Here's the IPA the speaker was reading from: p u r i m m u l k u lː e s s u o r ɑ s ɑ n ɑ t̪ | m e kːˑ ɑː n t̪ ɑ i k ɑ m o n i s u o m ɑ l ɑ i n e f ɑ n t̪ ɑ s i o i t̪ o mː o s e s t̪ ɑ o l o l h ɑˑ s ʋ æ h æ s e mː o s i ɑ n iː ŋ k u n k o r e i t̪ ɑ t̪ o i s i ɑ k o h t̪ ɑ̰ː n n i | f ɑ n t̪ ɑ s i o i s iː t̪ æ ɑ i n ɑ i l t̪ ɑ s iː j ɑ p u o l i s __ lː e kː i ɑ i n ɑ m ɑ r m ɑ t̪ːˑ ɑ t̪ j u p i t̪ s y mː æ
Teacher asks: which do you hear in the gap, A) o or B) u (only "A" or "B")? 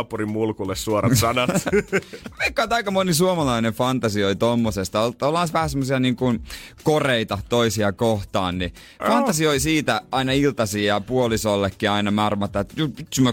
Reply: A